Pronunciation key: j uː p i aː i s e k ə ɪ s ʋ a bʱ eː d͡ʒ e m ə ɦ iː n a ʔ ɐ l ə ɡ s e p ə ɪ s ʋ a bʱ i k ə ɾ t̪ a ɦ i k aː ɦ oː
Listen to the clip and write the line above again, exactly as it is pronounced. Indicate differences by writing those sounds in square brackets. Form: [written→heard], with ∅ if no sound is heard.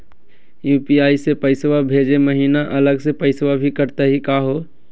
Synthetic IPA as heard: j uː p i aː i s e [k→p] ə ɪ s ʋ a bʱ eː d͡ʒ e m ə ɦ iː n a ʔ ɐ l ə ɡ s e p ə ɪ s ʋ a bʱ i k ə ɾ t̪ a ɦ i k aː ɦ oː